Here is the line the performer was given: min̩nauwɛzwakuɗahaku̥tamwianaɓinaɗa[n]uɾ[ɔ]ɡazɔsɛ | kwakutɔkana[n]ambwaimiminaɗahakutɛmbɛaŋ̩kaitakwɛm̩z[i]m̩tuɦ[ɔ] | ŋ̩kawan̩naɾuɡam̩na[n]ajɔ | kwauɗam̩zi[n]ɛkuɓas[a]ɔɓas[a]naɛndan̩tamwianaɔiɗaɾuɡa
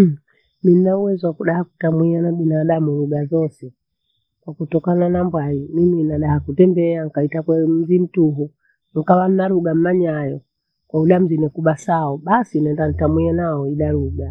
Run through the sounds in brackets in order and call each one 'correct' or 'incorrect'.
incorrect: m, incorrect: u, correct, correct, incorrect: u, incorrect: ɲ, correct, correct, incorrect: i

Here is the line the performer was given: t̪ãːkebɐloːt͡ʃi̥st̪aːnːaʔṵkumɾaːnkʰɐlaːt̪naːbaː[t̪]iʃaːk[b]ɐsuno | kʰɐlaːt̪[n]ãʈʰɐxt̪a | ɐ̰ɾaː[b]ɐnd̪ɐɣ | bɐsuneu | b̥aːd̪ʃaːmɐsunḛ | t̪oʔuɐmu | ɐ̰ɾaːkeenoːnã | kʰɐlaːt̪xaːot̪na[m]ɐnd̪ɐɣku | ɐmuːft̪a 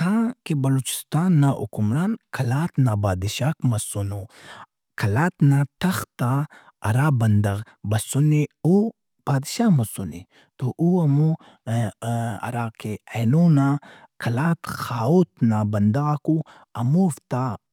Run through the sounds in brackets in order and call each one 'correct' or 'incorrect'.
incorrect: d̪, incorrect: m, correct, correct, incorrect: b

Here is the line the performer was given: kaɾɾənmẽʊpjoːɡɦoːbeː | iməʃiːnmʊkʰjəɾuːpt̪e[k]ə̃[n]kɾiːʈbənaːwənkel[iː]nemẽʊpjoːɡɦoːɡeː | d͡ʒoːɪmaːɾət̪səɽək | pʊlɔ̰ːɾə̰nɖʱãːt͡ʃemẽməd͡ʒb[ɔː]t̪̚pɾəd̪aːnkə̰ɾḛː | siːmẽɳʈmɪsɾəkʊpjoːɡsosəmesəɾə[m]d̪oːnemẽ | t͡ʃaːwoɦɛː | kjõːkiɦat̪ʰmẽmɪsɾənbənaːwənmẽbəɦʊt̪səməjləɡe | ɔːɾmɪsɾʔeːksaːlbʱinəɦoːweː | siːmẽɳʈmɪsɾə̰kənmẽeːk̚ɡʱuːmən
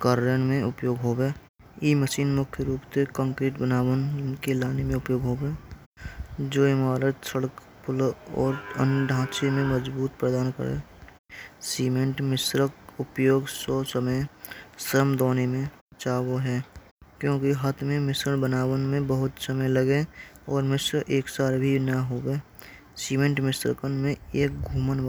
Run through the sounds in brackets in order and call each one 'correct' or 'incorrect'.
correct, incorrect: ŋ, incorrect: aː, incorrect: uː, correct

